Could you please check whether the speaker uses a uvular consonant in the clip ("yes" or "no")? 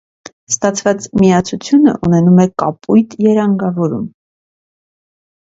no